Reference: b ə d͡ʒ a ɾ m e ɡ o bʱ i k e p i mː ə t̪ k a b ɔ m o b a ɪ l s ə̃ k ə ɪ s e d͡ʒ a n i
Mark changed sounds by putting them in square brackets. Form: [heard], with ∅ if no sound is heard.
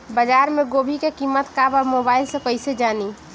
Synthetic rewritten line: b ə d͡ʒ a ɾ m e ɡ o bʱ i k e [k] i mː ə t̪ k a b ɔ m o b a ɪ l s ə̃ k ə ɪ s e d͡ʒ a n i